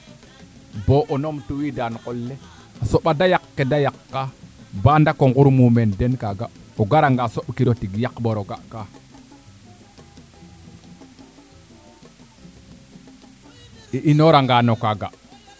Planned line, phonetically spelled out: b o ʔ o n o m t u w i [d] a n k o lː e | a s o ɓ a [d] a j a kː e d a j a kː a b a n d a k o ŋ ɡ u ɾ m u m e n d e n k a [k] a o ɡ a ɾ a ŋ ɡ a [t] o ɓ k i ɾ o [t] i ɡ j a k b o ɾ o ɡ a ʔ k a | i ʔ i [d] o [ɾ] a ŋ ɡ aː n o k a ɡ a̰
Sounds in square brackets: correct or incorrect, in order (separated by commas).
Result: correct, correct, incorrect, incorrect, correct, incorrect, correct